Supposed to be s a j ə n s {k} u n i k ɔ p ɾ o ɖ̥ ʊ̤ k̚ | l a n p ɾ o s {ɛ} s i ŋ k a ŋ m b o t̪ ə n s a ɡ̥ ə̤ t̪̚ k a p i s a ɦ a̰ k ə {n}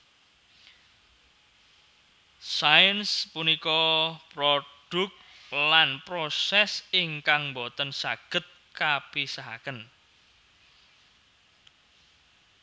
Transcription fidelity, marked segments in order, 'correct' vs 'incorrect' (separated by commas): incorrect, correct, correct